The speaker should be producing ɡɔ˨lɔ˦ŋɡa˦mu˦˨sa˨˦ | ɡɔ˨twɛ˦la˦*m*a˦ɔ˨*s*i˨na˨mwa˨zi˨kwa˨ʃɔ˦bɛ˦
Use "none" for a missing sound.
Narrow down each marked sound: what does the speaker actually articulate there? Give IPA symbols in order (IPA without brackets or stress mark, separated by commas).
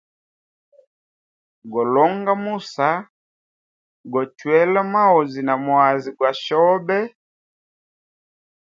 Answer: m, z